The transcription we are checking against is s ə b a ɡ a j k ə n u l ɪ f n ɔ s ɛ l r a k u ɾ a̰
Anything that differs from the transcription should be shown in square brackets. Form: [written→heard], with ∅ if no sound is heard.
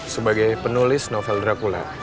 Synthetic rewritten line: s ə b a ɡ a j [k→p] ə n u l ɪ [f→s] n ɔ [s→f] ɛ l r a k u [ɾ→l] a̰